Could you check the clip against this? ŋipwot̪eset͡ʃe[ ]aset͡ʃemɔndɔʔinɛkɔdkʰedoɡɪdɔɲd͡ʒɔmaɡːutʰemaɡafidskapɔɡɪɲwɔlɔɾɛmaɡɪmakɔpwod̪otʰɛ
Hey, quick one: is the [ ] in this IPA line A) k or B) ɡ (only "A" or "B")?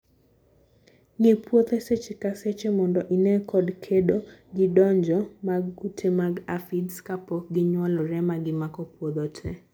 A